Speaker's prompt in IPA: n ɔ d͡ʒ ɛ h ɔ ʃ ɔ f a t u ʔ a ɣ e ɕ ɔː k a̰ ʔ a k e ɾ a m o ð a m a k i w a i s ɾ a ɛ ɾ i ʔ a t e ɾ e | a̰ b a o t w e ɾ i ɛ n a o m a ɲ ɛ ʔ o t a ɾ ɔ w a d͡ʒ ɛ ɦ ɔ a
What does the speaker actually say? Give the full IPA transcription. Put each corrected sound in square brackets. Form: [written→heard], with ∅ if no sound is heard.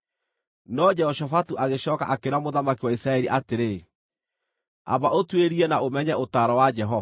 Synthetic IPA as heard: n ɔ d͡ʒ ɛ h ɔ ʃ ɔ f a t u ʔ a ɣ e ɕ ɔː k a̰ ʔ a k e ɾ a m o ð a m a k i w a i s ɾ a ɛ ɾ i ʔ a t e ɾ e | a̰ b a o t w e ɾ i ɛ n a o m [a→ɛ] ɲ ɛ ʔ o t a ɾ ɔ w a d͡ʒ ɛ ɦ ɔ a